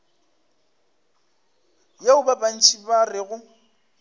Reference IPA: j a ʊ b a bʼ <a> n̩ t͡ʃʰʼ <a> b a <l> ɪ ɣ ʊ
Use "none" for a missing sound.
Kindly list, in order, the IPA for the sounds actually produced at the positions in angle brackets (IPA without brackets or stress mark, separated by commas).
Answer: a, i, r